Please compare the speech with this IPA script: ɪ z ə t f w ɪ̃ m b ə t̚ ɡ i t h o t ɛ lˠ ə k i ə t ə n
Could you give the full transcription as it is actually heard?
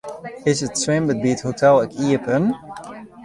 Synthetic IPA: ɪ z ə t s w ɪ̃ m b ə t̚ b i t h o t ɛ lˠ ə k i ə p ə n